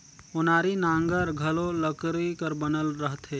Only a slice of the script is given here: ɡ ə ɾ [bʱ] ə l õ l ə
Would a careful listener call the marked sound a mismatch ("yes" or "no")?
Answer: yes